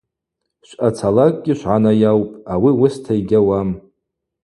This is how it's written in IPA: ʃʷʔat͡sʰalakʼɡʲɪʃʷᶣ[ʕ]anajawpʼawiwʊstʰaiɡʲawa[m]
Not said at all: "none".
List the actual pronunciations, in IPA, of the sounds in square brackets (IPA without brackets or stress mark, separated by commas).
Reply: ʕ, m